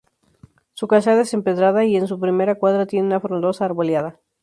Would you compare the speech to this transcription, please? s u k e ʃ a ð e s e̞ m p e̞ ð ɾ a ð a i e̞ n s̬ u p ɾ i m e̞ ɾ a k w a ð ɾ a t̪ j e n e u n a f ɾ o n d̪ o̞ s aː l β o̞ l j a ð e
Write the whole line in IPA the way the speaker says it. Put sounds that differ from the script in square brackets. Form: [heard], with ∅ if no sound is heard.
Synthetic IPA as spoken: s u k [a] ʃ a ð e s e̞ m p e̞ ð ɾ a ð a i e̞ n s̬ u p ɾ i m e̞ ɾ a k w a ð ɾ a t̪ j e n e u n a f ɾ o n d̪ o̞ s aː [ɾ] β o̞ l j a ð [a]